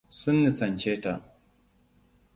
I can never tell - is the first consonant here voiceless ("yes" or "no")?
yes